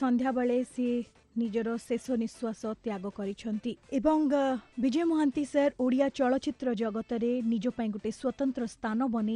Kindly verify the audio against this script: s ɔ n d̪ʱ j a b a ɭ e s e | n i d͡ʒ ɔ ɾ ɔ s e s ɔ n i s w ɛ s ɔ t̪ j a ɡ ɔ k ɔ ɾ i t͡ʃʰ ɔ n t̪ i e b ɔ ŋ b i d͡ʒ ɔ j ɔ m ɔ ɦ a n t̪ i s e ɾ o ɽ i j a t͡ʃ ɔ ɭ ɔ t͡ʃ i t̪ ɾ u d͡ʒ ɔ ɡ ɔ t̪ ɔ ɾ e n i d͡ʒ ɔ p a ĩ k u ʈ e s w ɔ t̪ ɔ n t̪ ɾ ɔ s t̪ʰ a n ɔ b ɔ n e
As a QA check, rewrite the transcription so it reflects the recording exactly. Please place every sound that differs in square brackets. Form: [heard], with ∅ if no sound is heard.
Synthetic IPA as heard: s ɔ n d̪ʱ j a b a ɭ e s e | n i d͡ʒ ɔ ɾ ɔ s e s ɔ n i s w [a] s ɔ t̪ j a ɡ ɔ k ɔ ɾ i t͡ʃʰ ɔ n t̪ i e b ɔ ŋ b i d͡ʒ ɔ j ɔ m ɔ ɦ a n t̪ i s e ɾ o ɽ i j a t͡ʃ ɔ ɭ ɔ t͡ʃ i t̪ ɾ [ɔ] d͡ʒ ɔ ɡ ɔ t̪ ɔ ɾ e n i d͡ʒ ɔ p a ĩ k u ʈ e s w ɔ t̪ ɔ n t̪ ɾ ɔ s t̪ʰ a n ɔ b ɔ n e